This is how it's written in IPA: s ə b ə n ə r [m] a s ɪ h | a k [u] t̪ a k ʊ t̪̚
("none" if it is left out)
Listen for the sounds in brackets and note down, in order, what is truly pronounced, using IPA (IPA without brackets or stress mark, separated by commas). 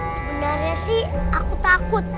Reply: ɲ, u